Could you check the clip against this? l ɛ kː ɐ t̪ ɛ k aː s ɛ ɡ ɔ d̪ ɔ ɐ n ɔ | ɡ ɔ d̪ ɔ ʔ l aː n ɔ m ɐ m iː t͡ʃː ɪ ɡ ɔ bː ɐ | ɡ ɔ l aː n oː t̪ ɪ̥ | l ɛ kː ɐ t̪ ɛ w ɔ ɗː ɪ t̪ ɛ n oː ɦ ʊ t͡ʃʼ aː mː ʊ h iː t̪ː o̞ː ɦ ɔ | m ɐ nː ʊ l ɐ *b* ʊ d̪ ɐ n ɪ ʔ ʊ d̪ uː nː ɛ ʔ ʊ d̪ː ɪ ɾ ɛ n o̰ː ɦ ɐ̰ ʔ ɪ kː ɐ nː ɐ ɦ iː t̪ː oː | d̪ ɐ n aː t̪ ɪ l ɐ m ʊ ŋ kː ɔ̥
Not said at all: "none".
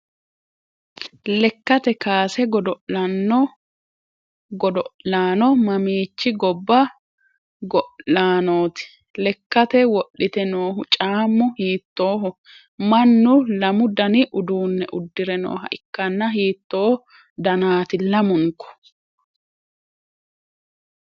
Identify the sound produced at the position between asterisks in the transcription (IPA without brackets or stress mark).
m